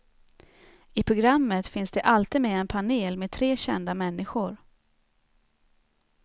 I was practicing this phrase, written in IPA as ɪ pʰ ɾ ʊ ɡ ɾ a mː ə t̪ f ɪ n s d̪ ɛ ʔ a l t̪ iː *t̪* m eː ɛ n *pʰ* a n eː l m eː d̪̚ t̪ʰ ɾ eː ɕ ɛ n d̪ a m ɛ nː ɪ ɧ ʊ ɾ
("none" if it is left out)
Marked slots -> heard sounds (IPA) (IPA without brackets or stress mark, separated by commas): d̪, pʰ